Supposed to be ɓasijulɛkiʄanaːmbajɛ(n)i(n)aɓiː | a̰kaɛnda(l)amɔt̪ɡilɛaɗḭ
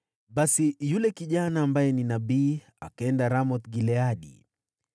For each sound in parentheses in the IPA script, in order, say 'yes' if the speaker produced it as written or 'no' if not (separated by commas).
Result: yes, yes, no